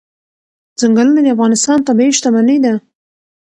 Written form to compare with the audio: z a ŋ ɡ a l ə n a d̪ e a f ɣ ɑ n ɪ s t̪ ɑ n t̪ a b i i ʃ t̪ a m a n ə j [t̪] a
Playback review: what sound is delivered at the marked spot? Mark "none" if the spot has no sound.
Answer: d̪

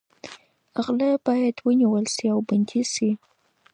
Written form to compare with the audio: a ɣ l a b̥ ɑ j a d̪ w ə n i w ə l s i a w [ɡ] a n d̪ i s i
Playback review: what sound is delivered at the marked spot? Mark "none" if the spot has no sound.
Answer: b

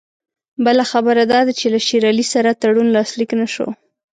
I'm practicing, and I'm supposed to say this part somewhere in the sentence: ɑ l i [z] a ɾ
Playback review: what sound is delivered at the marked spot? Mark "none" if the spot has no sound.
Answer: s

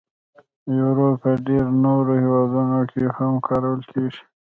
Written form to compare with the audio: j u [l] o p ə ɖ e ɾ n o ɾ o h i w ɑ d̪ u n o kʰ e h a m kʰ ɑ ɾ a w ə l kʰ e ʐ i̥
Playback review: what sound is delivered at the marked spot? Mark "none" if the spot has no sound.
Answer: ɾ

